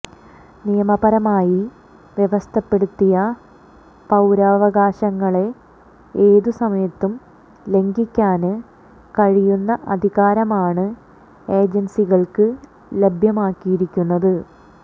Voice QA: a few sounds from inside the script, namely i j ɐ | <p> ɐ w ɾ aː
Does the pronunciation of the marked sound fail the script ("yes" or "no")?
no